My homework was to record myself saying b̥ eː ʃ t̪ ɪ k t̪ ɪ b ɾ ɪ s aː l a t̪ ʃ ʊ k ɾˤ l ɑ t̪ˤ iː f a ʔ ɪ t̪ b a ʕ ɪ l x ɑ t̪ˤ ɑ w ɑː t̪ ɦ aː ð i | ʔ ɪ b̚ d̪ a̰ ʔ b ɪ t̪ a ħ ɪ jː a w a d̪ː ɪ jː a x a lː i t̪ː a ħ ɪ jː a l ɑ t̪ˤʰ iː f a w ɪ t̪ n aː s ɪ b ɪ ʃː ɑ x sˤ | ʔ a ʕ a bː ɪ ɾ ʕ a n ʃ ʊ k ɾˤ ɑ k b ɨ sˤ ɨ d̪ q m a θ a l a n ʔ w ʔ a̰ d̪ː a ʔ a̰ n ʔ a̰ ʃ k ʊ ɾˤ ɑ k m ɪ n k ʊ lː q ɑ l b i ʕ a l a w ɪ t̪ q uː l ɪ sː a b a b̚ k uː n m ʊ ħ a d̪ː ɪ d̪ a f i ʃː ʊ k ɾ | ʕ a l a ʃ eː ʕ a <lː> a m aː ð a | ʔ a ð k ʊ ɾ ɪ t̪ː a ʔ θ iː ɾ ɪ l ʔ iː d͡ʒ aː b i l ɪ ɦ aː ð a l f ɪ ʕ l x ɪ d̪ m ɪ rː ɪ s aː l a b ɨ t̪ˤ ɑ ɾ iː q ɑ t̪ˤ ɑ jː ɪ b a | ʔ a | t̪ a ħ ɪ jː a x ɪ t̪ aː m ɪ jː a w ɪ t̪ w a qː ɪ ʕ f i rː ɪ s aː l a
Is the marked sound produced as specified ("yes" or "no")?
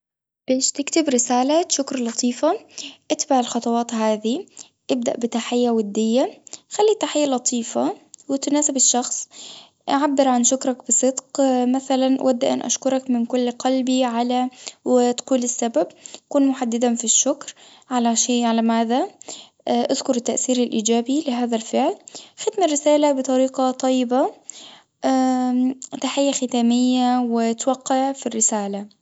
no